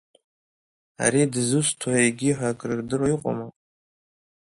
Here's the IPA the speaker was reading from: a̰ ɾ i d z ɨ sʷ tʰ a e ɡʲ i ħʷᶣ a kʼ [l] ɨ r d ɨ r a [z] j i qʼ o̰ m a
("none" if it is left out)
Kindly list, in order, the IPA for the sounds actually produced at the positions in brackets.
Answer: r, none

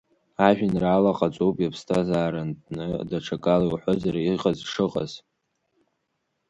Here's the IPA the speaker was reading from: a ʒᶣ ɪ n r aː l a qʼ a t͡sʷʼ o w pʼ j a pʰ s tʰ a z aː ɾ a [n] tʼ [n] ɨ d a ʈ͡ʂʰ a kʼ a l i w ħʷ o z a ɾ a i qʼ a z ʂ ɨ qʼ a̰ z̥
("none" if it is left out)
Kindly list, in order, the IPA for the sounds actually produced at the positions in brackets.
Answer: n, n

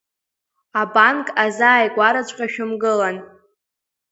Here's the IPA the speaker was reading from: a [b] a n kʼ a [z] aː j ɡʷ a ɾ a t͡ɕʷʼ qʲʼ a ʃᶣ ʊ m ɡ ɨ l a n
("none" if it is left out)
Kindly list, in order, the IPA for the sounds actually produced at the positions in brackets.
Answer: b, z

